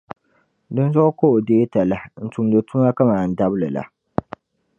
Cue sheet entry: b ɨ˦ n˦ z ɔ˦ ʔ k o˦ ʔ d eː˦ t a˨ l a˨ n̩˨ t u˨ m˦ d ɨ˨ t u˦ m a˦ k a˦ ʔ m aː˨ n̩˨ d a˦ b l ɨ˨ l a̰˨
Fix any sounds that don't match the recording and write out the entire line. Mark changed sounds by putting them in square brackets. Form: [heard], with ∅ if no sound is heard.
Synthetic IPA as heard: [d] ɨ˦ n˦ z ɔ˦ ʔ k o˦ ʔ d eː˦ t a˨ l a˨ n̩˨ t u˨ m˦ d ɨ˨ t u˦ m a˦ k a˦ [∅] m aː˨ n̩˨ d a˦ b l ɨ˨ l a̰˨